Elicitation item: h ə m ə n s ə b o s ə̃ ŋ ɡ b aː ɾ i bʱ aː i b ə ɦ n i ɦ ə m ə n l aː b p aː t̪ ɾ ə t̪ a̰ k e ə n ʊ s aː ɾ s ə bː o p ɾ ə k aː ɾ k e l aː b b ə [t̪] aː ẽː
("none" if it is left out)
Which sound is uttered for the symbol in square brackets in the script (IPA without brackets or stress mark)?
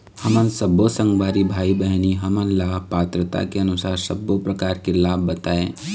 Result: t̪